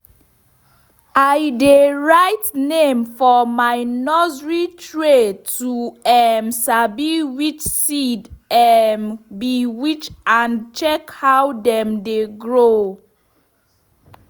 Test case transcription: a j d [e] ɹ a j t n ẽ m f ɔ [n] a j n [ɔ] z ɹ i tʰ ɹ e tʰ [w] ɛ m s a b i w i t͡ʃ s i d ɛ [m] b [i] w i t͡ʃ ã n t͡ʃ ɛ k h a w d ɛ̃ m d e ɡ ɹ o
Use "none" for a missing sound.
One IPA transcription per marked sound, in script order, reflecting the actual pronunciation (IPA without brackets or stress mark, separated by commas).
e, m, ɔ, u, m, i